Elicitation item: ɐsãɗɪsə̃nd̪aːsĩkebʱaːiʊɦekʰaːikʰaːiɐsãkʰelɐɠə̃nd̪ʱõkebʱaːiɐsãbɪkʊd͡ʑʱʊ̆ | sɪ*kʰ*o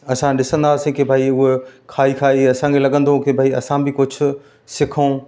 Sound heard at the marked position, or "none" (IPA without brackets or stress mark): kʰ